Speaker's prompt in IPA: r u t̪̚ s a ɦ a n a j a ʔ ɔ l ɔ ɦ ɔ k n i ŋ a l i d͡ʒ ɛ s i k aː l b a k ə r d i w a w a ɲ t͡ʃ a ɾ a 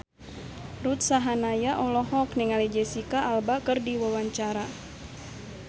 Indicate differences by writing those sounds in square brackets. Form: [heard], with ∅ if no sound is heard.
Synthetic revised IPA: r u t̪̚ s a ɦ a n a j a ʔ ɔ l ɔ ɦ ɔ k n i ŋ a l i d͡ʒ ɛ s i k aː l b a k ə r d i w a w a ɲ t͡ʃ a ɾ a